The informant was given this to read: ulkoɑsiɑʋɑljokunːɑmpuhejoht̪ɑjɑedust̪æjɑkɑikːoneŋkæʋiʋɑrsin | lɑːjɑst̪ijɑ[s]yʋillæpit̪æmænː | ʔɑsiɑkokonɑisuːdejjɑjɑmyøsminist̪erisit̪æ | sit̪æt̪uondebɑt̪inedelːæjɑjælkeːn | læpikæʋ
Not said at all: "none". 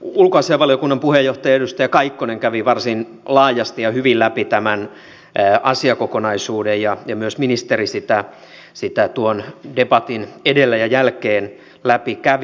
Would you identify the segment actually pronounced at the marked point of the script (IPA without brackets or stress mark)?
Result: h